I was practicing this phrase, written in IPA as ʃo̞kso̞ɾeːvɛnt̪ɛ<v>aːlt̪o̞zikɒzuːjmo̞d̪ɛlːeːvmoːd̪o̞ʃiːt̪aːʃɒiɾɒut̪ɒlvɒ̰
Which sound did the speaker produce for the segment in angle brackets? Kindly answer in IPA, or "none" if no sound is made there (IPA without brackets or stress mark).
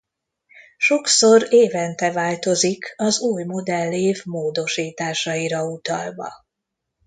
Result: v